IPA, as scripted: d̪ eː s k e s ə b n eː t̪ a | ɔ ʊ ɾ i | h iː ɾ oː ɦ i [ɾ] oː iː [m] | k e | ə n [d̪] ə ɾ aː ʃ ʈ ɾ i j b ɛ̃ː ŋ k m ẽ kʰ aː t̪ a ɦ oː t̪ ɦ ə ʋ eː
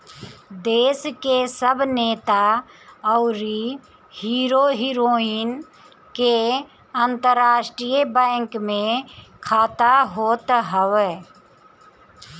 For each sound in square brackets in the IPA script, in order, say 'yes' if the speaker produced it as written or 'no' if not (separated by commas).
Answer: yes, no, no